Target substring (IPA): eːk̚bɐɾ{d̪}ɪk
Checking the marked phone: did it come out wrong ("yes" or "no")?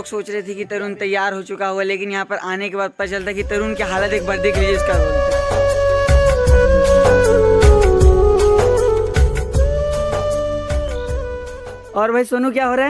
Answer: no